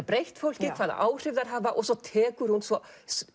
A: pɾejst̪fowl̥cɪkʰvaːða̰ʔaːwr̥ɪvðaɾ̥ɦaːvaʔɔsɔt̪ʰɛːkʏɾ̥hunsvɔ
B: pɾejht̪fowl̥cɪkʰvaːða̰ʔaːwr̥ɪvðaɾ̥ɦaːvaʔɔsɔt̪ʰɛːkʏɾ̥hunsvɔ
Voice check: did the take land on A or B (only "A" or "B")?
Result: B